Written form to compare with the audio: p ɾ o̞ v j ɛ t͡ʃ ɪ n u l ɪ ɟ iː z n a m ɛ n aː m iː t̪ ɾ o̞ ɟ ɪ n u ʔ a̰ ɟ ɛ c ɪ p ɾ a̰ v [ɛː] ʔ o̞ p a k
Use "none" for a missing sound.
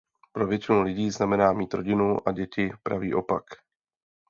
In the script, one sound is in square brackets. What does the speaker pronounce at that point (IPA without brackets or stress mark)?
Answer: iː